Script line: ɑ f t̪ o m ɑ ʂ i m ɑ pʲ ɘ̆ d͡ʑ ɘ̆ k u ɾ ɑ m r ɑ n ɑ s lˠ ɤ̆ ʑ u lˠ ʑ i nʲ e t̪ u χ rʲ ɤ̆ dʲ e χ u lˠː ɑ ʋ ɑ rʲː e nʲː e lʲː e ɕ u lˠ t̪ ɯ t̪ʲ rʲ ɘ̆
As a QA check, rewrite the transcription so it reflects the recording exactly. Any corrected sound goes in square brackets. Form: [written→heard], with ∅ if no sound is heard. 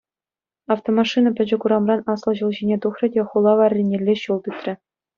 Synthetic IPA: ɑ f t̪ o m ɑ ʂ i [m→n] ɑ pʲ ɘ̆ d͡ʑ ɘ̆ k u ɾ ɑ m r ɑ n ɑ s lˠ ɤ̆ ʑ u lˠ ʑ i nʲ e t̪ u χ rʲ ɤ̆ dʲ e χ u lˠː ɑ ʋ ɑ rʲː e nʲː e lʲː e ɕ u lˠ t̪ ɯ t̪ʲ rʲ ɘ̆